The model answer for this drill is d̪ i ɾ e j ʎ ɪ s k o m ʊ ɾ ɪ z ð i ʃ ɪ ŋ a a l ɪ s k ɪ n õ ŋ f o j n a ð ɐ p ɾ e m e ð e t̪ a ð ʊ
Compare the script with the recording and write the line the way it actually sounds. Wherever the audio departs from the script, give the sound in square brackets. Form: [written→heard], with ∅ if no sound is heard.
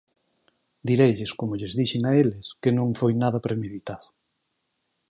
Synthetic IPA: d̪ i ɾ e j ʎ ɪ s k o m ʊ [ɾ→ʎ] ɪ z ð i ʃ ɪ ŋ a [a→e] l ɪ s k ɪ n õ ŋ f o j n a ð ɐ p ɾ e m e ð [e→i] t̪ a ð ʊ